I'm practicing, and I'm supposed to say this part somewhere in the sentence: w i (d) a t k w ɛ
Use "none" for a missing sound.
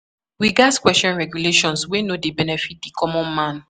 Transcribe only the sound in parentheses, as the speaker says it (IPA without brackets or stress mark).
ɡ